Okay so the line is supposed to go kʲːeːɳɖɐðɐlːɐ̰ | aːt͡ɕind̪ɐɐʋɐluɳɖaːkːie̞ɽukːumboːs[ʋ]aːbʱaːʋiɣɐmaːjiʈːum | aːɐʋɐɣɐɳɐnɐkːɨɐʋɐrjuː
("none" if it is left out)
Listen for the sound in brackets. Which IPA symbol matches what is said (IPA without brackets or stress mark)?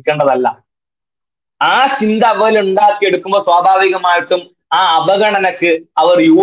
w